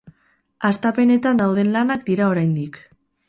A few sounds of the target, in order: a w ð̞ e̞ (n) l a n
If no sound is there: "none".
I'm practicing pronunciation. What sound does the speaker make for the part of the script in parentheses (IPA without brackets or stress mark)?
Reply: n